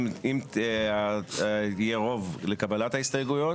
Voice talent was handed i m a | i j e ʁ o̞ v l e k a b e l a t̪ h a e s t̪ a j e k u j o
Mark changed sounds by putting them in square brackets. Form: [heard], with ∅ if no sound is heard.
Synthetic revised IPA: i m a | i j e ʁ o̞ v l e k a b [a] l a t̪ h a [i] s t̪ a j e [ɡ] u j o